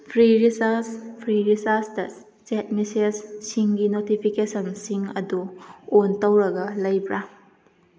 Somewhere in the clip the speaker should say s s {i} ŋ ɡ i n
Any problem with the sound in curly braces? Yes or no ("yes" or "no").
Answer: no